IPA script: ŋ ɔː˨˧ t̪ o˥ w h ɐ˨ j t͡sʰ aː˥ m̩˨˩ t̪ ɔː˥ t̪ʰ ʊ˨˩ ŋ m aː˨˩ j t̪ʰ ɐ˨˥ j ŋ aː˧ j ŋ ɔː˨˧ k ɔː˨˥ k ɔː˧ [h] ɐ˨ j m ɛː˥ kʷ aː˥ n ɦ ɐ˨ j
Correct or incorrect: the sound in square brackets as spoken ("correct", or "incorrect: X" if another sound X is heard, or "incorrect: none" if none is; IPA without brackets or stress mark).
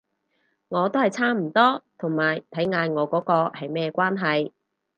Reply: correct